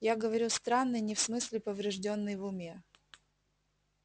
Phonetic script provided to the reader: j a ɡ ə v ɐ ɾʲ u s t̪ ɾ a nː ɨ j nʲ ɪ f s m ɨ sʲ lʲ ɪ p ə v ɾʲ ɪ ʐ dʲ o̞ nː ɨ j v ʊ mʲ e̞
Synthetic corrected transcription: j a ɡ ə v ɐ ɾʲ u s t̪ ɾ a nː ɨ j nʲ ɪ f s m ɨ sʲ lʲ ɪ p ə v ɾʲ ɪ ʐ dʲ o̞ nː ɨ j v ʊ mʲ e̞